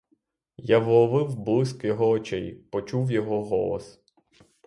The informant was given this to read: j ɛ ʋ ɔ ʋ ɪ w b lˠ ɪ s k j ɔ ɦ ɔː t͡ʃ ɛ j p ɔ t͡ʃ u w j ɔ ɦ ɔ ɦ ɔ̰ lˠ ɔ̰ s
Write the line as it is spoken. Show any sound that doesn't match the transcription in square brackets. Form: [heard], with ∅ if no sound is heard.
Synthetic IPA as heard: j [a] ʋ ɔ ʋ ɪ w b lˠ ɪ s k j ɔ ɦ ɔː t͡ʃ ɛ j p ɔ t͡ʃ u w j ɔ ɦ ɔ ɦ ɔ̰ lˠ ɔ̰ s